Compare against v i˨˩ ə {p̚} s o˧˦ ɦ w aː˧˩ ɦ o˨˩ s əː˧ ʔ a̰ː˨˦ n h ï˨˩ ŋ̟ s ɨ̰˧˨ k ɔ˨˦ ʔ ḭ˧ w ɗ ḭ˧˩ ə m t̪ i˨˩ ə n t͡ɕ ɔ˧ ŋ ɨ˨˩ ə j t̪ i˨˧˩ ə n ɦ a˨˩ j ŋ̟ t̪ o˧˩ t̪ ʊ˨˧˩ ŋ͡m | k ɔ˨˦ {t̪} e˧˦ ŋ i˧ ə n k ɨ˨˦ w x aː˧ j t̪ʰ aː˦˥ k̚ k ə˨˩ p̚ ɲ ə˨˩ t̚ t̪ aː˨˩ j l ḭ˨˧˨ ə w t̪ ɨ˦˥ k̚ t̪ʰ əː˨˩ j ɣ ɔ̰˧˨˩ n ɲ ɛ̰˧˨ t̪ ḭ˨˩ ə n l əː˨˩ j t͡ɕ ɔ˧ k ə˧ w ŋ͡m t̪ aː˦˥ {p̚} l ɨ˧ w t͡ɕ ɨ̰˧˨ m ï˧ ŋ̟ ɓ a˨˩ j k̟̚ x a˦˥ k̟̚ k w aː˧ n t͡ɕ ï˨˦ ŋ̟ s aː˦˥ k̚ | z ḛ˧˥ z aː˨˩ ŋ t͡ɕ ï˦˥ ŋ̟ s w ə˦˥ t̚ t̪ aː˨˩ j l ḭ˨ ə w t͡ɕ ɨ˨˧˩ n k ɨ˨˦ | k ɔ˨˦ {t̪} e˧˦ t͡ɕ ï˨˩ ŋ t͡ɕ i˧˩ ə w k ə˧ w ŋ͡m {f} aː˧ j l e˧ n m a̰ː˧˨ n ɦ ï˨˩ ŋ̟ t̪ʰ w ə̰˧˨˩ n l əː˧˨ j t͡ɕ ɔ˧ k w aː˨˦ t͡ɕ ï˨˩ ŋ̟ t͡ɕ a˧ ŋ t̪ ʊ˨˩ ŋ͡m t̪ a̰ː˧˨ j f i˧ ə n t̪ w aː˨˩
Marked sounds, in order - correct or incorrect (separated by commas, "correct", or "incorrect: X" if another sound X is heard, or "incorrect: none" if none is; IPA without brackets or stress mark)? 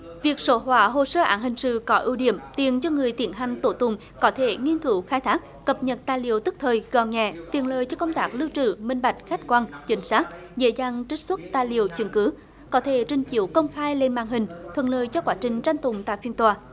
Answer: incorrect: k̚, incorrect: t̪ʰ, incorrect: k̚, incorrect: t̪ʰ, incorrect: x